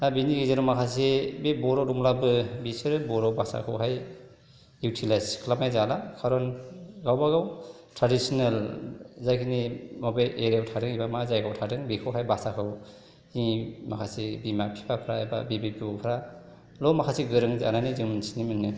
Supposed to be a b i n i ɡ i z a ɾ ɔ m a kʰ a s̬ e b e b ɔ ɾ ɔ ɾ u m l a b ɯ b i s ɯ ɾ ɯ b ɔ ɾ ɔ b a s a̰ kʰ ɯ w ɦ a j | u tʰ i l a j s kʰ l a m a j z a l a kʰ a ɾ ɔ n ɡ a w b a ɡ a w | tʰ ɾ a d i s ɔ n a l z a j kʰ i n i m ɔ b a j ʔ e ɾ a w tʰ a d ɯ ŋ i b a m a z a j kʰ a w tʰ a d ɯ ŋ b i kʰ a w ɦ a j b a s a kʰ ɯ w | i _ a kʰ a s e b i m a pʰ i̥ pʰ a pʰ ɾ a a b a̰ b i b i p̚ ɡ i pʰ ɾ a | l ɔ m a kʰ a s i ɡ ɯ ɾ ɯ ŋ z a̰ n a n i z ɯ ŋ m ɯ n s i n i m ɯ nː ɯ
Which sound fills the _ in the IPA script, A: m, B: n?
A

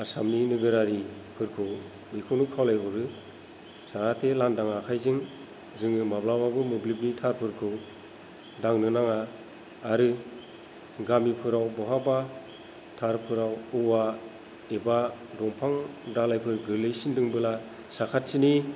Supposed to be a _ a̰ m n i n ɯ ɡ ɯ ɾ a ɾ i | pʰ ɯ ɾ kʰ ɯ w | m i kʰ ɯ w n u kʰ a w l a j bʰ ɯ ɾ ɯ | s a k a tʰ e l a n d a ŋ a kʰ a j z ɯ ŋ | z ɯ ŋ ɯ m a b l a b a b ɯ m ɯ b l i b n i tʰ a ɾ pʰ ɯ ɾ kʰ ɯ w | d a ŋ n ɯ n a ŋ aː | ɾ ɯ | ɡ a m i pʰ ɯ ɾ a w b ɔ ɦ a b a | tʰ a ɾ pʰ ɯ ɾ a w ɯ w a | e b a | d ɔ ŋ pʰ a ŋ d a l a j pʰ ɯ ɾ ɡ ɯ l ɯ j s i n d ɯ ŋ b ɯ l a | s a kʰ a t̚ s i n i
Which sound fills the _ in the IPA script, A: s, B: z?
A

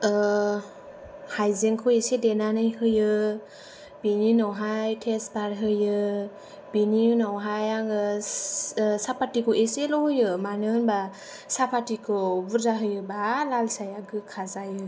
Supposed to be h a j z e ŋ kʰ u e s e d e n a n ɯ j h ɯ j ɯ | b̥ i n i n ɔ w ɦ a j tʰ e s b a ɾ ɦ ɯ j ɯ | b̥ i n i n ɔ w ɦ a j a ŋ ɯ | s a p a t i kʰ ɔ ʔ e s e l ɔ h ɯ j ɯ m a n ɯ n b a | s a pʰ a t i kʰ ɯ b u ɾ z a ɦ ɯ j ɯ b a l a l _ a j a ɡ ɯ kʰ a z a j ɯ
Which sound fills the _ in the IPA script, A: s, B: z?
A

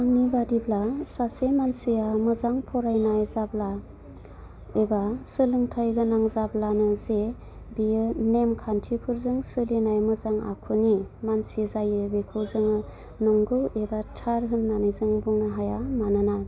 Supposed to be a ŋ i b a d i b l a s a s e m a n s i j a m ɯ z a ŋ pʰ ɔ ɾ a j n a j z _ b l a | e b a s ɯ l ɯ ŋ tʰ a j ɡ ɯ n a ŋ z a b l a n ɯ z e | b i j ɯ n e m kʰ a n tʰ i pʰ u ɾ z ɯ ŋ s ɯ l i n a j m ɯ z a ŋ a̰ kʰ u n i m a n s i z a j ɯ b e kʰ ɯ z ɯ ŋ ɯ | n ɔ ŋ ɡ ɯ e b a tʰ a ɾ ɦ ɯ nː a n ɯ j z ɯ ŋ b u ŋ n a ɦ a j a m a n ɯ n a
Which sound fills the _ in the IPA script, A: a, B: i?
A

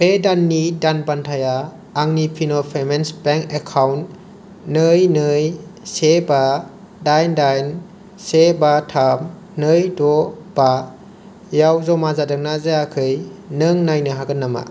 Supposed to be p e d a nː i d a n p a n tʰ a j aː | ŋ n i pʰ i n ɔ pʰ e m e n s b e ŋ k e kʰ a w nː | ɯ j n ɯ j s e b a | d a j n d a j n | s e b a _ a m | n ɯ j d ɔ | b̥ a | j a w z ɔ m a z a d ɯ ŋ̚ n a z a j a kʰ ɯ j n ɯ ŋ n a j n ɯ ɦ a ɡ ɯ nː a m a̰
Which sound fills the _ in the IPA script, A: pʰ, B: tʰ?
B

